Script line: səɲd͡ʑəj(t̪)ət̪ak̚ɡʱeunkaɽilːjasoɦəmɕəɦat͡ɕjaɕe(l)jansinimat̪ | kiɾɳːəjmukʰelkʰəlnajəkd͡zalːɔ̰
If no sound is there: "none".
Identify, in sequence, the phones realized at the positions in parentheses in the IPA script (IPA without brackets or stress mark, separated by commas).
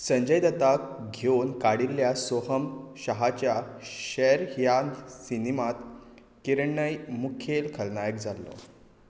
d̪, ɾ